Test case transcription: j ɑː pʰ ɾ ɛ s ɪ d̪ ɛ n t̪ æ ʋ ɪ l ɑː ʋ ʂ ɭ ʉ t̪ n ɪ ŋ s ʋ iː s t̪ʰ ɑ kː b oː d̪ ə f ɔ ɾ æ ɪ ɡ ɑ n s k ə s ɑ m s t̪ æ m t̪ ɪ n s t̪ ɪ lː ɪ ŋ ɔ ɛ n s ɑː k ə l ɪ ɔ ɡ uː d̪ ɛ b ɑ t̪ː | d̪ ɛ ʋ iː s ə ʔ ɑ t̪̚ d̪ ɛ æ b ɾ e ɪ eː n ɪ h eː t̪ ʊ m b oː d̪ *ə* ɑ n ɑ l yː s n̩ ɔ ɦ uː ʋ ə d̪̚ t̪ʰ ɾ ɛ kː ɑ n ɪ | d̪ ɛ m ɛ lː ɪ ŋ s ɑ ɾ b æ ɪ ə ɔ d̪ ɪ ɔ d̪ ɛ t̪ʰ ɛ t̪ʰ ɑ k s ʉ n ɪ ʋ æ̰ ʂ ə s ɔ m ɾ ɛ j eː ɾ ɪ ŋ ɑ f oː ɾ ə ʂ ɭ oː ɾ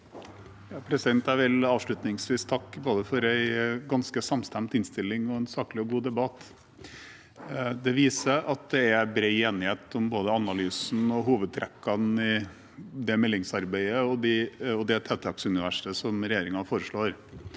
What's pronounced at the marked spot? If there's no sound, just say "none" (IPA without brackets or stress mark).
ə